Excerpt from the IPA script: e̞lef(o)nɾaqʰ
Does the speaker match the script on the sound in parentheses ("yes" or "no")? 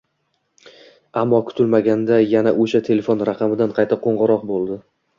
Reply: yes